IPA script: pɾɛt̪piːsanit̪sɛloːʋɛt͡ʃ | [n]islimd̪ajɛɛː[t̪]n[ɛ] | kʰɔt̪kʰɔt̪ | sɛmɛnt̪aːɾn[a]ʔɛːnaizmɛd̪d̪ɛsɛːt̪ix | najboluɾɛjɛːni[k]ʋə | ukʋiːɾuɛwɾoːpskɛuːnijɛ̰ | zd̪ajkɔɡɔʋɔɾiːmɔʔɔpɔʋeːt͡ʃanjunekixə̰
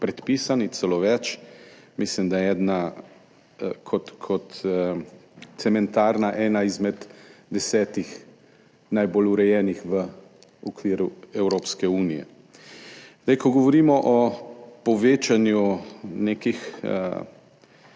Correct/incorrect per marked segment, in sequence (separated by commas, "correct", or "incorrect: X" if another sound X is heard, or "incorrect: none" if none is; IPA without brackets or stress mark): incorrect: m, incorrect: d̪, incorrect: a, correct, incorrect: x